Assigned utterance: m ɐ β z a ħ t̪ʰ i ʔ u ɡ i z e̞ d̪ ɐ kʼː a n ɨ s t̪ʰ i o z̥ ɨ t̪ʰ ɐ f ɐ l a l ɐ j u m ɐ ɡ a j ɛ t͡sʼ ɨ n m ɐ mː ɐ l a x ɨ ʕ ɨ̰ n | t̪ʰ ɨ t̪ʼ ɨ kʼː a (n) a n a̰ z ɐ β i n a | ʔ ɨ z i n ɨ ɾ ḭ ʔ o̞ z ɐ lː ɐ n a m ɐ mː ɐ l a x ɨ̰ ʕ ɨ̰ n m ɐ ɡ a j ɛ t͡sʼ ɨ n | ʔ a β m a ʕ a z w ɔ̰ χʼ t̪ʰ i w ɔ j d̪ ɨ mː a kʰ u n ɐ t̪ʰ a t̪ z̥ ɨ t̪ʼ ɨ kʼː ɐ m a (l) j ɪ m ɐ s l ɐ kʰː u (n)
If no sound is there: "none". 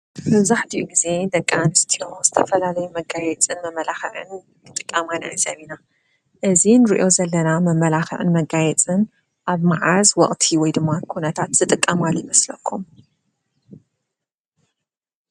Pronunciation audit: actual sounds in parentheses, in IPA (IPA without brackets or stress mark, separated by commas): m, l, m